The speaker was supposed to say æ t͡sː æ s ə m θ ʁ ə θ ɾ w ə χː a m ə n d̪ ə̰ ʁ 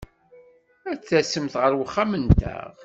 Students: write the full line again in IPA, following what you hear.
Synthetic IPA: æ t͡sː æ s ə m θ ʁ ə ɾ w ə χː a m ə n t̪ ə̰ ʁ

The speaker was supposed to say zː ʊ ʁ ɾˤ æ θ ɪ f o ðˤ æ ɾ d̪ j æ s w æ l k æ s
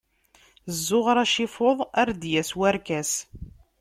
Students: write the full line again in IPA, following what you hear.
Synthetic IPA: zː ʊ ʁ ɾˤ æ ʃ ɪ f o ðˤ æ ɾ d̪ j æ s w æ ɾ k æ s

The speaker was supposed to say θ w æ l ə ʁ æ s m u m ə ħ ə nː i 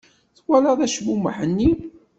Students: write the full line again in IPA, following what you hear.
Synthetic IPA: θ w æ l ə ð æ ʃ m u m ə ħ ə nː i

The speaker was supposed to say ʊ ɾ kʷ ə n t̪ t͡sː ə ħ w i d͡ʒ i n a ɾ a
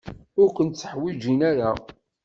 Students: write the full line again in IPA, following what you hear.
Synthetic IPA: ʊ ɾ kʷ ə n t̪ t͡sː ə ħ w i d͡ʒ i n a ɾ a

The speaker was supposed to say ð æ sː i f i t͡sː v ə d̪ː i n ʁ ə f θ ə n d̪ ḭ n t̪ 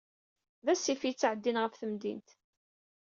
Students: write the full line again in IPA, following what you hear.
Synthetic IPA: ð æ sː i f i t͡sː ʕ ə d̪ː i n ʁ ə f θ ə m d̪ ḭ n t̪

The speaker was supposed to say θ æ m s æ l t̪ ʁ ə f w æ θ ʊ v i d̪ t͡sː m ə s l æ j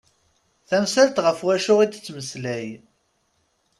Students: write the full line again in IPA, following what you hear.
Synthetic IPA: θ æ m s æ l t̪ ʁ ə f w æ ʃ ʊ ʁ i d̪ t͡sː m ə s l æ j

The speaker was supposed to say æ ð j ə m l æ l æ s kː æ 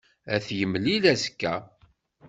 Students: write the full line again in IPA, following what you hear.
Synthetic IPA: æ θ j ə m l i l æ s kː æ

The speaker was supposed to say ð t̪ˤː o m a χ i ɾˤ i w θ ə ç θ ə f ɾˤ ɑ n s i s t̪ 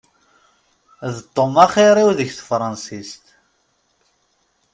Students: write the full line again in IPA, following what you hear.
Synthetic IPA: ð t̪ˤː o m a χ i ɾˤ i w ð ə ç θ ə f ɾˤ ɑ n s i s t̪

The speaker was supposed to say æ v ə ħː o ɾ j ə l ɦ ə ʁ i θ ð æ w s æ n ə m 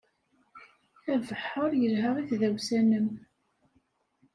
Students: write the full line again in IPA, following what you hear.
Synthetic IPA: æ v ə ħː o ɾ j ə l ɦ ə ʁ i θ ð æ w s æ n ə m

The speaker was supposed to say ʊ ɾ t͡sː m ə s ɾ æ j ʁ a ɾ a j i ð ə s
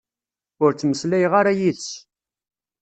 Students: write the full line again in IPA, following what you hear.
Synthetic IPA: ʊ ɾ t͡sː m ə s l æ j ʁ a ɾ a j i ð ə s

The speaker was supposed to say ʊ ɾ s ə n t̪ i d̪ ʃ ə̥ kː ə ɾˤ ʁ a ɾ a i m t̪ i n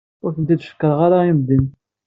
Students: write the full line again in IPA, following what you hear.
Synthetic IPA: ʊ ɾ θ ə n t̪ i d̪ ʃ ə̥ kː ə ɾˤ ʁ a ɾ a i m d̪ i n

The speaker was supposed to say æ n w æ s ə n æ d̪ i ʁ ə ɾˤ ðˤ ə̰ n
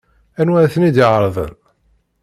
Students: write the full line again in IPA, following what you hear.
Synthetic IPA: æ n w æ θ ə n i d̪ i ʕ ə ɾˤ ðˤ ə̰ n

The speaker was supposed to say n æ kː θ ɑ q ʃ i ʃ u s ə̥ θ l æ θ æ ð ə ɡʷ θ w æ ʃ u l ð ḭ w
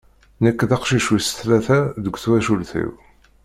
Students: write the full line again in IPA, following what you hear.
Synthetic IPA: n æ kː ð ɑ q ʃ i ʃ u s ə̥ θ l æ θ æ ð ə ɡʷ θ w æ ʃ u l θ ḭ w

